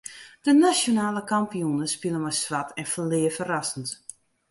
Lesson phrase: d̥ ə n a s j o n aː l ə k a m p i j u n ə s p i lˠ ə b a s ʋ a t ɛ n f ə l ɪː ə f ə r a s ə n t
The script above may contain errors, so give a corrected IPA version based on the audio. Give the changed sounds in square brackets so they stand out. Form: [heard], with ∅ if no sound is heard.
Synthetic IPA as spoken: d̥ ə n a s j o n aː l ə k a m p i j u n ə s p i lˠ ə [m] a s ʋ a t ɛ n f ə l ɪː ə f ə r a s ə n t